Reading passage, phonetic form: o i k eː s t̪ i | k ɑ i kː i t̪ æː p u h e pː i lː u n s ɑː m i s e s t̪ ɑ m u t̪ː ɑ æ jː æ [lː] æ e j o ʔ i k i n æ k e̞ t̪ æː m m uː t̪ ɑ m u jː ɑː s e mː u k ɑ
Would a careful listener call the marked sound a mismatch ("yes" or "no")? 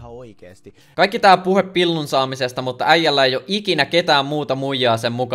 no